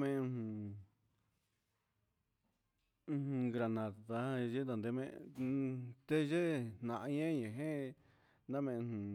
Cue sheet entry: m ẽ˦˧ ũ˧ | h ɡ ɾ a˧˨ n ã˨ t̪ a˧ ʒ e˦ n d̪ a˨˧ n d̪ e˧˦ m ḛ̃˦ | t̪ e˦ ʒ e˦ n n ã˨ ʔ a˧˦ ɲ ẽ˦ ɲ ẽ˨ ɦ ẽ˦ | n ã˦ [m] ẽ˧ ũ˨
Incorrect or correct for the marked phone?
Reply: correct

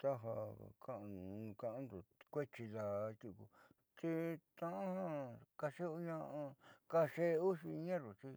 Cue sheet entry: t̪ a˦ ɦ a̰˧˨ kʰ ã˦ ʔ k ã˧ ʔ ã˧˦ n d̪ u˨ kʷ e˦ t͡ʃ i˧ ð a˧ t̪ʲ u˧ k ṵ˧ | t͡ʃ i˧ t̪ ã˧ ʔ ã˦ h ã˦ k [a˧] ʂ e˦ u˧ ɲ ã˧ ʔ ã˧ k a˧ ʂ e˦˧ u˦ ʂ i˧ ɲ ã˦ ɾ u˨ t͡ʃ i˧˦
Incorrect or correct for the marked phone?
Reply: correct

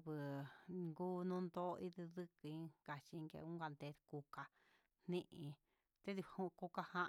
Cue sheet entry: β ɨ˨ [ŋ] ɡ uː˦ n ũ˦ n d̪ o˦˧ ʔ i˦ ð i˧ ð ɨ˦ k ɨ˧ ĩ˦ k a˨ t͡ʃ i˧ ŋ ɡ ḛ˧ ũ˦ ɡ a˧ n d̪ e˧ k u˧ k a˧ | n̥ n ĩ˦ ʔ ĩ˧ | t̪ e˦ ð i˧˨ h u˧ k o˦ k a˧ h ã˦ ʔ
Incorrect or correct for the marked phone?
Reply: correct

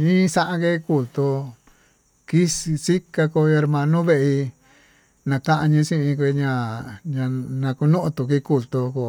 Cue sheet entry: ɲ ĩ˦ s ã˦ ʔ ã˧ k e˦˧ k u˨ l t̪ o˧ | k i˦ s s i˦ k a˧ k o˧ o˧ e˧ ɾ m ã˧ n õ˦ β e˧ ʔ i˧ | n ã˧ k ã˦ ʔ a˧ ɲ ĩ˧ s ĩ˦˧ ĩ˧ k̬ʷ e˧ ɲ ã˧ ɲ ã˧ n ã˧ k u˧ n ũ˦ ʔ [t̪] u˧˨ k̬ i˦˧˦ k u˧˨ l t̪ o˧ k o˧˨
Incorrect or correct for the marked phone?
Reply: correct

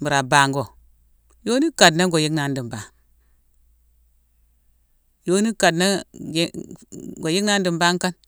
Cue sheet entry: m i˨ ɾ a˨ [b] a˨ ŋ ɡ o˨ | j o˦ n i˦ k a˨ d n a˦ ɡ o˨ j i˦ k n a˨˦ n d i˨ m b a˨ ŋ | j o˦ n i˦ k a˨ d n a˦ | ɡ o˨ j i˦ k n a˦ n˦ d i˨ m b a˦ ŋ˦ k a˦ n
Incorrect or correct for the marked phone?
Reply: correct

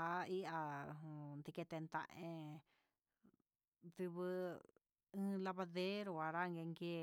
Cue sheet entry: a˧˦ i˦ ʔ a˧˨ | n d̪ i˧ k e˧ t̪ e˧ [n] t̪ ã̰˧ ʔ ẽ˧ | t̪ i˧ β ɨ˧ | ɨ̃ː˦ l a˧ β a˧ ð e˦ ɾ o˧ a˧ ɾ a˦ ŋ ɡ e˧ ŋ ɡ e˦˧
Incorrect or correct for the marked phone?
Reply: correct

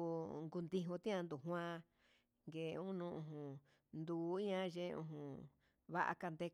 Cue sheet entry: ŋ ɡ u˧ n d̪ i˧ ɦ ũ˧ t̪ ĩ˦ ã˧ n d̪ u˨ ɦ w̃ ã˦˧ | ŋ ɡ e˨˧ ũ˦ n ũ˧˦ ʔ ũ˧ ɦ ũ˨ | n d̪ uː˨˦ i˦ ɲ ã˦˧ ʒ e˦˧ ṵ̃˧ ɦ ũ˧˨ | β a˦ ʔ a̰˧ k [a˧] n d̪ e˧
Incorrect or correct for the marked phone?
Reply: correct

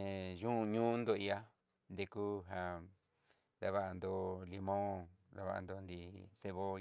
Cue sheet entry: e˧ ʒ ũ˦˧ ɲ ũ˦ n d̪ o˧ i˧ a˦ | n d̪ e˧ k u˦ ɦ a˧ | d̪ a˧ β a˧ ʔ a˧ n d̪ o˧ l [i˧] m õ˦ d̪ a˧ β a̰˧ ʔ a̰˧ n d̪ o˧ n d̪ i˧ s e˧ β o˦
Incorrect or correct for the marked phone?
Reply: correct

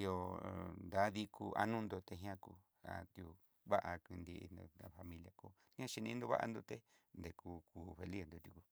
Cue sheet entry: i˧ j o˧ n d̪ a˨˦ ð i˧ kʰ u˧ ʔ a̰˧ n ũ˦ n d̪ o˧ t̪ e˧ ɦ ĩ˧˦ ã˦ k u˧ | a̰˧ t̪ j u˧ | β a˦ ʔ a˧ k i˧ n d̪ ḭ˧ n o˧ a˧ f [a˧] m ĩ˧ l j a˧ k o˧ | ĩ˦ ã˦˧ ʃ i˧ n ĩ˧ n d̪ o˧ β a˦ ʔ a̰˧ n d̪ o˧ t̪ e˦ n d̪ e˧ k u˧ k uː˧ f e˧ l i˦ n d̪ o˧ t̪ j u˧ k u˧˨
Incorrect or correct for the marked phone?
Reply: correct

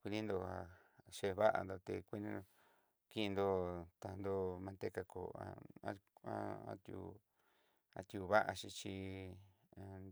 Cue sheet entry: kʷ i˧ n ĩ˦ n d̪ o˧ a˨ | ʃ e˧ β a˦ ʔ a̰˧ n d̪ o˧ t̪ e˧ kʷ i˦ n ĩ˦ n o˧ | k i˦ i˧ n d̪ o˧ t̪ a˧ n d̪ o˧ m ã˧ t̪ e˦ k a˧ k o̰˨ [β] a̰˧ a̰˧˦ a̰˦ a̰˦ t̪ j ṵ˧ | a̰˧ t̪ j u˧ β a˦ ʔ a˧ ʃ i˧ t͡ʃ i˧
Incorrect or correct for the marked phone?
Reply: incorrect: none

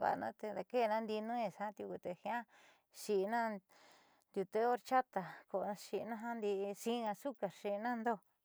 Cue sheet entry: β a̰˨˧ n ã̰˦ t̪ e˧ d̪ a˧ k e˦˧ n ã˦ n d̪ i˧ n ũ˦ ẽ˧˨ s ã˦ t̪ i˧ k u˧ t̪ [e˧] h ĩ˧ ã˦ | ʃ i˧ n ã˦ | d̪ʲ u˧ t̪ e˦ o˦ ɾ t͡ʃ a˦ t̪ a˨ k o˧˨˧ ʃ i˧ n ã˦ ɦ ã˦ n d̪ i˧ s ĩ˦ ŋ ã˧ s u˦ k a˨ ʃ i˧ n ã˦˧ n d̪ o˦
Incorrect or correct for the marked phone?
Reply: correct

